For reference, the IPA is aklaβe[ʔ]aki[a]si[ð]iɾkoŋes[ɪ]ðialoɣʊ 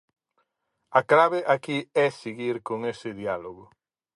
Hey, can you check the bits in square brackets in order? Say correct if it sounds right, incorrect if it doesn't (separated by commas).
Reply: correct, incorrect, incorrect, correct